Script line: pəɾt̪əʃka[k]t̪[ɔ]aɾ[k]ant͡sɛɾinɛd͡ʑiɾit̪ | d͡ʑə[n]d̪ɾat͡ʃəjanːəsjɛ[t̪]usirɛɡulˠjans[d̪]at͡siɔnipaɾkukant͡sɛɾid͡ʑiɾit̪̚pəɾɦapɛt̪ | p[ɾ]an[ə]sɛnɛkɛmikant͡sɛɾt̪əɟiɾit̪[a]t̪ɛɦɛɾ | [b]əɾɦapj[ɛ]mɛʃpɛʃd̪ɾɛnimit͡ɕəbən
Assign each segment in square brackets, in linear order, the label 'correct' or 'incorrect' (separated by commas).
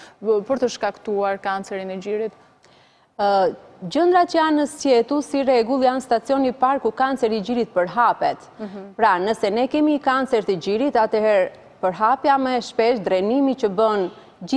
correct, incorrect, correct, correct, correct, incorrect, correct, correct, correct, incorrect, incorrect